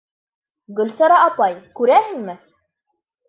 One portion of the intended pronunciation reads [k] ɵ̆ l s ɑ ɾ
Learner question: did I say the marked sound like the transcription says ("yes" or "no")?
no